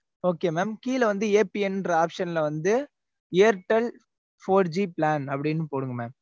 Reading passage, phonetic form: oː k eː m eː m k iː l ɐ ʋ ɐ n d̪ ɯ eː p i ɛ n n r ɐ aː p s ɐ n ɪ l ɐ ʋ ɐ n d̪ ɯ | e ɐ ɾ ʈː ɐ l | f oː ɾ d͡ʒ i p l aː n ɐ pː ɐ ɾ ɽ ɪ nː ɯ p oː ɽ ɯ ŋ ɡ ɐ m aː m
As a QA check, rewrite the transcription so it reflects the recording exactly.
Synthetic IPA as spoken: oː k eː m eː m k iː l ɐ ʋ ɐ n d̪ ɯ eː p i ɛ n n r ɐ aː p ʂ ɐ n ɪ l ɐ ʋ ɐ n d̪ ɯ | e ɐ ɾ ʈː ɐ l | f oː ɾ d͡ʒ i p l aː n ɐ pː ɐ ɽ ɪ nː ɯ p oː ɽ ɯ ŋ ɡ ɐ m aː m